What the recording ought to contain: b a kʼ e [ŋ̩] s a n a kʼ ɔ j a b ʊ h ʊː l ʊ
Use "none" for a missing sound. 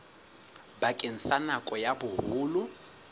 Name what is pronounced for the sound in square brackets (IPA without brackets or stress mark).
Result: n̩